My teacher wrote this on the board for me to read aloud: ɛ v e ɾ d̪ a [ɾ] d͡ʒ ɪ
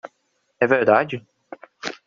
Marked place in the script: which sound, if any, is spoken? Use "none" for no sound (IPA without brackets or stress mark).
none